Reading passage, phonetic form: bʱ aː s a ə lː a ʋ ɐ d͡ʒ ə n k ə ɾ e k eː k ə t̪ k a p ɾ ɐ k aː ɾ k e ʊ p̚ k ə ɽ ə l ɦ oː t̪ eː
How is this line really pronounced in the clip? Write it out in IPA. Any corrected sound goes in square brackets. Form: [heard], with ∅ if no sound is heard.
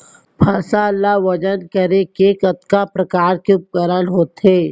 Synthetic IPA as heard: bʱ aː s a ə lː a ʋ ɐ d͡ʒ ə n k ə ɾ e k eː k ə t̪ k a p ɾ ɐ k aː ɾ k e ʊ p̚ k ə [ɾ] ə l ɦ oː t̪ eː